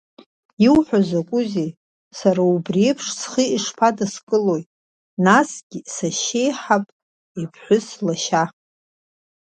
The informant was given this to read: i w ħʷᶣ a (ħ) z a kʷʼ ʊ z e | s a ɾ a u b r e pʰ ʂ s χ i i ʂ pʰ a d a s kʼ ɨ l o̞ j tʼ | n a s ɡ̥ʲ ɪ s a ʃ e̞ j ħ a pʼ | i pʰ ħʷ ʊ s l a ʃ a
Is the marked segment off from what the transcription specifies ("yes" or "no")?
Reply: yes